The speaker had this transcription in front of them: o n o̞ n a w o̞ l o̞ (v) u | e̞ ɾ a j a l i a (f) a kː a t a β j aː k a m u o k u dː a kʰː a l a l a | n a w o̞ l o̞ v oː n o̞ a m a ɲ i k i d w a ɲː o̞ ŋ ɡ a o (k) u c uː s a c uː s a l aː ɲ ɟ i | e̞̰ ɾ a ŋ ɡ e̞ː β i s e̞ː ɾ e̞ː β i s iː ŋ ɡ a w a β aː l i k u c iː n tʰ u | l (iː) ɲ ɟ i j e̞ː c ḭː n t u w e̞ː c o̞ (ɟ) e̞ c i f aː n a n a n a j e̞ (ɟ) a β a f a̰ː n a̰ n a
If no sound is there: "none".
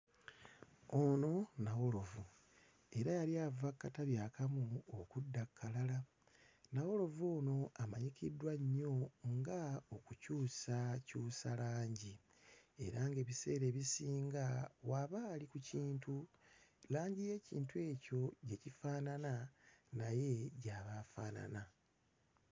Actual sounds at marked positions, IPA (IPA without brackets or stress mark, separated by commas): v, v, k, aː, ɟ, ɟ